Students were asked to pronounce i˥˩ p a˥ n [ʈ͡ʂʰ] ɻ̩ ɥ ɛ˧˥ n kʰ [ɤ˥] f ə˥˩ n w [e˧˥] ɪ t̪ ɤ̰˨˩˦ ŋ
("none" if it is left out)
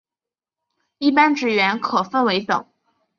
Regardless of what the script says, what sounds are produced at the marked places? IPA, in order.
ʈ͡ʂ, ɤ˨˩, e˧˥

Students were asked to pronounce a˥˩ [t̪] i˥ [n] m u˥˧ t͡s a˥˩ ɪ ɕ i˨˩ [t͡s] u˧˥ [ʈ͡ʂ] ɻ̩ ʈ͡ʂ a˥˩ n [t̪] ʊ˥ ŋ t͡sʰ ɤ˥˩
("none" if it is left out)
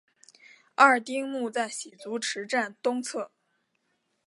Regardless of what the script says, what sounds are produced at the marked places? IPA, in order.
t̪, ŋ, t͡s, ʈ͡ʂʰ, t̪

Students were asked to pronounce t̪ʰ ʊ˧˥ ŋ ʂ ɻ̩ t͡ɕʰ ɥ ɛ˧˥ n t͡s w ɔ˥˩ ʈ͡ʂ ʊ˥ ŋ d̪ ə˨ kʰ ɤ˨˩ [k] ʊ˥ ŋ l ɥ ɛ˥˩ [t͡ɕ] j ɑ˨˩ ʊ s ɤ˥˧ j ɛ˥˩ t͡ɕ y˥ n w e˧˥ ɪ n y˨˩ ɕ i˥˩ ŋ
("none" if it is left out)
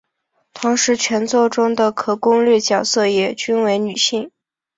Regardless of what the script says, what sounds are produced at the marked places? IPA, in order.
k, t͡ɕ

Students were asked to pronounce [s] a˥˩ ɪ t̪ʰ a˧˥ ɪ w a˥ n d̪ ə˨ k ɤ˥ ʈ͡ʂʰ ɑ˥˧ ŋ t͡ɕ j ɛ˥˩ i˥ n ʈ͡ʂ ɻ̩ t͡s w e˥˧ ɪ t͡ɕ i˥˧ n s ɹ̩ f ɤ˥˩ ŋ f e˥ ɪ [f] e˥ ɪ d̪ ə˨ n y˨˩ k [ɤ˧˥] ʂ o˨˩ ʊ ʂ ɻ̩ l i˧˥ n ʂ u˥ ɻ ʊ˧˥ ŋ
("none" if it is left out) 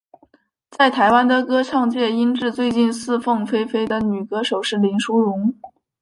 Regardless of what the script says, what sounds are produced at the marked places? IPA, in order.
t͡s, f, ɤ˥

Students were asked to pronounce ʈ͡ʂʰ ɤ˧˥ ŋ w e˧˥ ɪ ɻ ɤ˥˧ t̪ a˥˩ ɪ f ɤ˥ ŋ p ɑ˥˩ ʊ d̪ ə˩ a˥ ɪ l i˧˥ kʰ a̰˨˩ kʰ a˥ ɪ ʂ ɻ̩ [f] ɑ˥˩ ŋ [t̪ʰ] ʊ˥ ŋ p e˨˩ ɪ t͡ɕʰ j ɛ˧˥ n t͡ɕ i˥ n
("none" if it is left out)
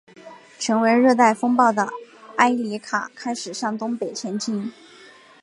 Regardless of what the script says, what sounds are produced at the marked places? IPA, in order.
ʂ, t̪

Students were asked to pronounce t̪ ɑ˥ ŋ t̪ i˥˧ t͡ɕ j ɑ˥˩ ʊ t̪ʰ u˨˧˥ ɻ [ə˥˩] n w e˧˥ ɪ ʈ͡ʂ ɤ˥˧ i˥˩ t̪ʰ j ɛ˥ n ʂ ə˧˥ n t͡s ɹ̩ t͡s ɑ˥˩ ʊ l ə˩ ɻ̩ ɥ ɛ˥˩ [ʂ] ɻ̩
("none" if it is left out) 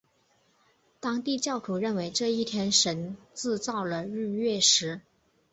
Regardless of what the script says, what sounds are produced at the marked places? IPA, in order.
ə˥˩, ʂ

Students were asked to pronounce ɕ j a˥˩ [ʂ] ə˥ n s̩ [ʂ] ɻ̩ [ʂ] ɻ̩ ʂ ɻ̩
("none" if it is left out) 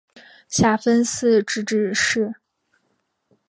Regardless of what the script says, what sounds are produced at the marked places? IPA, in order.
f, ʈ͡ʂ, ʈ͡ʂ

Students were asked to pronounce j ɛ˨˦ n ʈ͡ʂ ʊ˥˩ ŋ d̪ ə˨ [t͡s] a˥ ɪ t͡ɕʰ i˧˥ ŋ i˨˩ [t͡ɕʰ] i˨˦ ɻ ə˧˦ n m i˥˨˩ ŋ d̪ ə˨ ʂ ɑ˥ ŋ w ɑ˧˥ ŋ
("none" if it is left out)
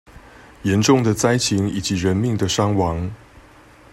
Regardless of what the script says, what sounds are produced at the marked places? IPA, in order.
t͡s, t͡ɕ

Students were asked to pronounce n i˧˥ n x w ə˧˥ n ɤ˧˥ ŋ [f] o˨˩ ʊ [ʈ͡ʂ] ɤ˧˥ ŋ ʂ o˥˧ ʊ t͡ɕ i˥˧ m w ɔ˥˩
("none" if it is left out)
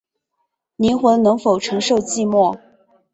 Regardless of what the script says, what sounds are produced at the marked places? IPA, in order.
f, ʈ͡ʂʰ

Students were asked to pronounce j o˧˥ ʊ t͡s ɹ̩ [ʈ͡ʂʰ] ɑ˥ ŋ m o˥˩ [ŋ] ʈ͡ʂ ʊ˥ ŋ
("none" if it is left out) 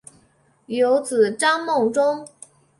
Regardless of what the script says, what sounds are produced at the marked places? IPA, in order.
ʈ͡ʂ, ŋ

